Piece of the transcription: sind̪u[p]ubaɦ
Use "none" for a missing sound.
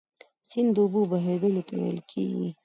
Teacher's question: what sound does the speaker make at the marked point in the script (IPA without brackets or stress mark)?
b